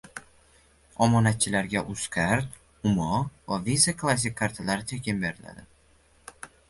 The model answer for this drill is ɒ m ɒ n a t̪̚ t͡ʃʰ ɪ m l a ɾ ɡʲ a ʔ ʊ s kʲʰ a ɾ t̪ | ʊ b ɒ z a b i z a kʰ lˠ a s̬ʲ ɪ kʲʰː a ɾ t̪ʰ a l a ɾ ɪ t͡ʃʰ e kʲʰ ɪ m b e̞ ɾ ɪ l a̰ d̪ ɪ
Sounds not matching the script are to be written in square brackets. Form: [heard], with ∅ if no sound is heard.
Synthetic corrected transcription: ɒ m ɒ n a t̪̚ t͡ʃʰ ɪ [∅] l a ɾ ɡʲ a ʔ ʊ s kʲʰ a ɾ t̪ | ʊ [m] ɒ [v] a [v] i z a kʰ lˠ a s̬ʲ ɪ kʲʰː a ɾ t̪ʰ a l a ɾ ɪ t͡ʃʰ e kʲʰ ɪ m b e̞ ɾ ɪ l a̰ d̪ ɪ